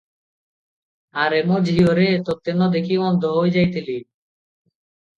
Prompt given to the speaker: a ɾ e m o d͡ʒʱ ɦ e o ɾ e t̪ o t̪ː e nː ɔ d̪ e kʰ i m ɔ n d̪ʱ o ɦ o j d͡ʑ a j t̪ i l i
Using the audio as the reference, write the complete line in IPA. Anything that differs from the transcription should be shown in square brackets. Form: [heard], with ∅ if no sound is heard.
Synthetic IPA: a ɾ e m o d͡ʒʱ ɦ [i] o ɾ e t̪ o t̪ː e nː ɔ d̪ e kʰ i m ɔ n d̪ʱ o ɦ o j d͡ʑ a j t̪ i l i